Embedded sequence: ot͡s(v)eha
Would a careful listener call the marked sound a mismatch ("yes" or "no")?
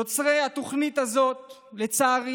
yes